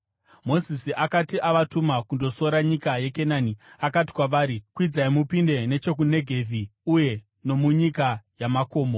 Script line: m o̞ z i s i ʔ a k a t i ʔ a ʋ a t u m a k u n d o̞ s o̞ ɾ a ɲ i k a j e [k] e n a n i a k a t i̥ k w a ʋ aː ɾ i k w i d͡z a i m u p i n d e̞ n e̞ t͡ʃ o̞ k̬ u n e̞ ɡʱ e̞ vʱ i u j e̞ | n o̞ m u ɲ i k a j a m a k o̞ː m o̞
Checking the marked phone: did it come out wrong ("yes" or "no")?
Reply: no